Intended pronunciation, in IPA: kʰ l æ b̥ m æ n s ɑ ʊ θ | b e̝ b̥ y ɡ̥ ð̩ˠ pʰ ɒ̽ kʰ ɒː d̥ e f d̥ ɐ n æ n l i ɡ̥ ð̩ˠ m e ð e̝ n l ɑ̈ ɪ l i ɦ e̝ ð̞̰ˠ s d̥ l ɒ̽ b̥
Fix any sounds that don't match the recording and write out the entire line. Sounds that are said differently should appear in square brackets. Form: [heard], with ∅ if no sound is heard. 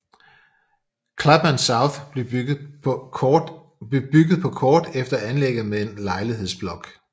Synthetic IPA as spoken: kʰ l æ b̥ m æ n s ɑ ʊ θ | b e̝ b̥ y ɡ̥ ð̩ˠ pʰ ɒ̽ kʰ ɒː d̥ e f d̥ ɐ [∅] æ n l [e] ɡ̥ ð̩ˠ m e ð e̝ n l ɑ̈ ɪ l i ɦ e̝ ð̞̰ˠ s [b̥] l ɒ̽ [ɡ̥]